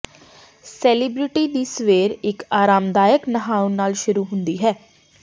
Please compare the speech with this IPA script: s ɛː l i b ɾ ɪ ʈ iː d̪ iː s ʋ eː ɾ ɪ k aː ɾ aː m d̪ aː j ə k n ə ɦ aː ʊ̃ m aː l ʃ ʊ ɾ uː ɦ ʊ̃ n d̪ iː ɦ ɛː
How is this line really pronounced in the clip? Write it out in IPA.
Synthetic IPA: s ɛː l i b ɾ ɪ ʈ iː d̪ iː s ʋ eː ɾ ɪ k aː ɾ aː m d̪ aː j ə k n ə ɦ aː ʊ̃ n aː l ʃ ʊ ɾ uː ɦ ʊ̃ n d̪ iː ɦ ɛː